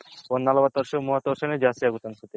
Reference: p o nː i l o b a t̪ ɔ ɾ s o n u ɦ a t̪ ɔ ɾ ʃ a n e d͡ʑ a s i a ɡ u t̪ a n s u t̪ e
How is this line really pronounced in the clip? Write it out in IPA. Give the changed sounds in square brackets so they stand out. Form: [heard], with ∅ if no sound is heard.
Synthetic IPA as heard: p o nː [a] l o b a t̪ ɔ ɾ [ʃ] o [m] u ɦ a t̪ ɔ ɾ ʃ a n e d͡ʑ a s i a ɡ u t̪ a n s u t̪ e